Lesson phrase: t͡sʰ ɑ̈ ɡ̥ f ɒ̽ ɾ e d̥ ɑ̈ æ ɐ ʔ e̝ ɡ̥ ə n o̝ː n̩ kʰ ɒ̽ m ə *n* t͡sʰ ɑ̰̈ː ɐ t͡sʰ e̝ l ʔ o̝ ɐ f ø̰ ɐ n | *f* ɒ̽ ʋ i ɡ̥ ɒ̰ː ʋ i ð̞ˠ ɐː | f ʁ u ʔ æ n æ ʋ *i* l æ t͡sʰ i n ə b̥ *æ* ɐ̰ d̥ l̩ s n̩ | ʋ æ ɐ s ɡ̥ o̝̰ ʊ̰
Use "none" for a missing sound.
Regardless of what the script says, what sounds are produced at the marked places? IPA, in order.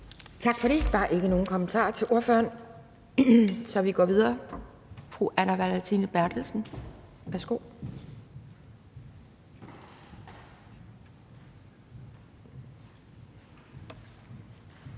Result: n, s, æ, æ

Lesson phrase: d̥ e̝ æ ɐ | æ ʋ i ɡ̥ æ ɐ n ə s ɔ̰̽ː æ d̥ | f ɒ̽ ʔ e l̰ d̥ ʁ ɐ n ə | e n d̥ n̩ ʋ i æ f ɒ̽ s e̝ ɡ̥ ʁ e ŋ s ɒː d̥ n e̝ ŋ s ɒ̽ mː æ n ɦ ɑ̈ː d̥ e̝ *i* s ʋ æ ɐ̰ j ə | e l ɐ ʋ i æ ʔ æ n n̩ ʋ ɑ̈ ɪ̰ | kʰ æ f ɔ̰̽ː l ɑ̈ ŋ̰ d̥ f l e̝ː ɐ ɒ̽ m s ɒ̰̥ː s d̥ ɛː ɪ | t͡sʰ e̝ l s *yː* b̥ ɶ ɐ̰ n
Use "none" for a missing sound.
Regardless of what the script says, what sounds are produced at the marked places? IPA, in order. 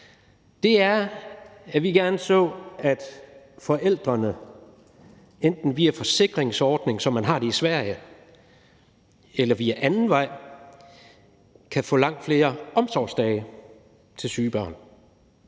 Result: i, yː

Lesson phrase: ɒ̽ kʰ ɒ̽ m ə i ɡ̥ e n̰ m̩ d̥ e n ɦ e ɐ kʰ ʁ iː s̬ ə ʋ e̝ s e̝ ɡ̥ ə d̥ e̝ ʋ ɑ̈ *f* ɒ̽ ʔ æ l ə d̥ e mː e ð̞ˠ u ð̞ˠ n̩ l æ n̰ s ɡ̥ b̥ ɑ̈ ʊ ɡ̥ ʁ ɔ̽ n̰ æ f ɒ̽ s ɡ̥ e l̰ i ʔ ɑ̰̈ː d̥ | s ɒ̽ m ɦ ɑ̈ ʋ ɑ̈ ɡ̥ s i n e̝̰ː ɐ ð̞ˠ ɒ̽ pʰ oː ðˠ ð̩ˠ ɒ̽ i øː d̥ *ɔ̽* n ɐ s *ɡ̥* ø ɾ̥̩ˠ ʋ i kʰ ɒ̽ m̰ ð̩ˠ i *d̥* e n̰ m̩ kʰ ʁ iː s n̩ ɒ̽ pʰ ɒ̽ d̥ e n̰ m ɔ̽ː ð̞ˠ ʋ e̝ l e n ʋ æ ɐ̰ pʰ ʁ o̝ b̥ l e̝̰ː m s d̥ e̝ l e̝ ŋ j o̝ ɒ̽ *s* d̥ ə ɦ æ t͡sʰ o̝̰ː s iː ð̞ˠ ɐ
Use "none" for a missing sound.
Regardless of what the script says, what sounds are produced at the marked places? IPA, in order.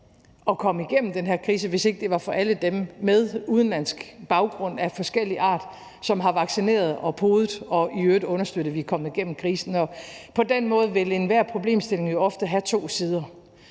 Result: f, ɔ̽, d̥, ɡ̥, f

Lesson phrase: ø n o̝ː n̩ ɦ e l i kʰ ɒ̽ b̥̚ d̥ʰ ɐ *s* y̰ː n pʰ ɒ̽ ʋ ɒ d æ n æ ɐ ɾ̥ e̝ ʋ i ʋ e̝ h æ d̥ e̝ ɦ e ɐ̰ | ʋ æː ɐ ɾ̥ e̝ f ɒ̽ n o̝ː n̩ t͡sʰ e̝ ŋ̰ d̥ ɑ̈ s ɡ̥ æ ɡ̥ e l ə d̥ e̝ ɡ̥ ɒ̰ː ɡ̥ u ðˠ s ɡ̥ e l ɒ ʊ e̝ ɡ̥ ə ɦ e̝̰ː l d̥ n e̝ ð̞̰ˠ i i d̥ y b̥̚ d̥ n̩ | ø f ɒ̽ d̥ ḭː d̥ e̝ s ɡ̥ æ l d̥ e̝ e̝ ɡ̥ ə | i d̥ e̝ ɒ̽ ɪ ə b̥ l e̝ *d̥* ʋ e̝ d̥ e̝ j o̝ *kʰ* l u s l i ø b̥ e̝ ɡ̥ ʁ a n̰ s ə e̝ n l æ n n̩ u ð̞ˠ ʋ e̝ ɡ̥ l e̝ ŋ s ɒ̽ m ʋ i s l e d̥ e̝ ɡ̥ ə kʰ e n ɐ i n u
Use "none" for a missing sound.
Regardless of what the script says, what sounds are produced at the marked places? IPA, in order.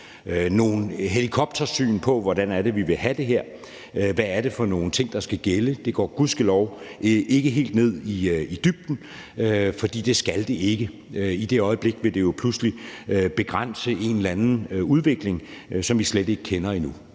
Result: s, ɡ̥, pʰ

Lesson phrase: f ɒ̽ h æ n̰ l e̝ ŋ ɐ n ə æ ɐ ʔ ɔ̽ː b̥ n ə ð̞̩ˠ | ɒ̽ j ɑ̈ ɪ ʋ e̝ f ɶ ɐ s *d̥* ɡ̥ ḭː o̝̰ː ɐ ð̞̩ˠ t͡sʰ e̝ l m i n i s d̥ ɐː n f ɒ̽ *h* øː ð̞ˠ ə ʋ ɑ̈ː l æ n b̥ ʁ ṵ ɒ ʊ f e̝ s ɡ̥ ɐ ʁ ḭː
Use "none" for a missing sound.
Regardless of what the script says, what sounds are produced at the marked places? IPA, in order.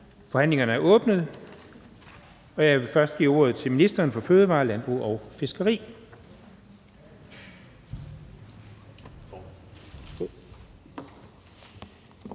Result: d̥, f

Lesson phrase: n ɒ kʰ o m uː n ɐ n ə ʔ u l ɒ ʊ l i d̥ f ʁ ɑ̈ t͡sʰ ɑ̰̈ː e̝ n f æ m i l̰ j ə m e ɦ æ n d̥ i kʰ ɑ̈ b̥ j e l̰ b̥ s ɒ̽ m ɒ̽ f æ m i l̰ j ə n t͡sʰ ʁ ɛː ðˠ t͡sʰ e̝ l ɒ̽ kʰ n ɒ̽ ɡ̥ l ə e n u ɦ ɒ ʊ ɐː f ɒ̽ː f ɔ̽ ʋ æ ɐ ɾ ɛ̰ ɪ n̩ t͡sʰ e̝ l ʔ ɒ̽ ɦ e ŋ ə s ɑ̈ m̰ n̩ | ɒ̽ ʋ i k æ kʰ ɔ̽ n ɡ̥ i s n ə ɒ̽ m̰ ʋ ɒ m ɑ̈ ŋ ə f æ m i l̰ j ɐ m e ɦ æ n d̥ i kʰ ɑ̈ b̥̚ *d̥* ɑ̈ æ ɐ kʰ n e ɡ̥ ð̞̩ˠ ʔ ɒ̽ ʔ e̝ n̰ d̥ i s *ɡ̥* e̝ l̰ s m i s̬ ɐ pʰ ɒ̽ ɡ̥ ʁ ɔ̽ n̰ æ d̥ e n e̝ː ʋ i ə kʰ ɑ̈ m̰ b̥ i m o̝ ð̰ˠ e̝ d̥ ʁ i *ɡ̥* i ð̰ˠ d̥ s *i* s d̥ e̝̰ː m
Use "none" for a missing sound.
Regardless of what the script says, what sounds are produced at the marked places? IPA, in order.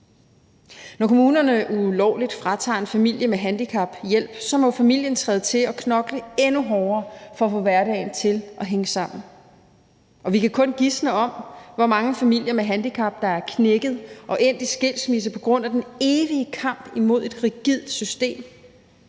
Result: d̥, ɡ̥, ɡ̥, y

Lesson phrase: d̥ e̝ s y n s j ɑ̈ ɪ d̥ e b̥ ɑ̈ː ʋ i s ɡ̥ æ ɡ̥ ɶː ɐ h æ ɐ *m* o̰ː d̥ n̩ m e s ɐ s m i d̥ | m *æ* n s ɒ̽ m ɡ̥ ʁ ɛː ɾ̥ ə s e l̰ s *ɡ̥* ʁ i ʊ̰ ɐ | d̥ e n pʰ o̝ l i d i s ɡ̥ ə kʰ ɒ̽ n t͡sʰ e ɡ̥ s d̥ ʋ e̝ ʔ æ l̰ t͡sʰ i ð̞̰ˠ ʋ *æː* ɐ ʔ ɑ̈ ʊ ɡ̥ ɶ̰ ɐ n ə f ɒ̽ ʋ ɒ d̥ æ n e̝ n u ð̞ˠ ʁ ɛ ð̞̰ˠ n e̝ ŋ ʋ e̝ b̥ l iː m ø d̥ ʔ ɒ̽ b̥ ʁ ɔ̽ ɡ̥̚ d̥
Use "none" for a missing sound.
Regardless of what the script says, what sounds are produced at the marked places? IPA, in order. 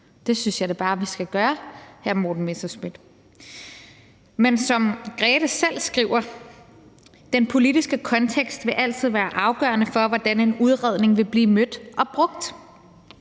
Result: m, e, ɡ̥, æː

